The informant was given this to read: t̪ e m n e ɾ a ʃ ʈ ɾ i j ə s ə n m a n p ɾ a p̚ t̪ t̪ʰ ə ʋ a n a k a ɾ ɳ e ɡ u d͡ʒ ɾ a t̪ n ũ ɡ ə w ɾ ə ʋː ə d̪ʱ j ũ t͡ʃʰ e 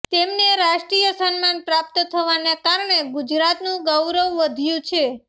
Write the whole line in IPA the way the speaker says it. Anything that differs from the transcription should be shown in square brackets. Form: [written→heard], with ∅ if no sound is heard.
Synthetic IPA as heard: t̪ e m n e ɾ a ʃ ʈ ɾ i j ə s ə n m a n p ɾ a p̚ t̪ t̪ʰ ə ʋ a n [a→e] k a ɾ ɳ e ɡ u d͡ʒ ɾ a t̪ n ũ ɡ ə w ɾ ə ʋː ə d̪ʱ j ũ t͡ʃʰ e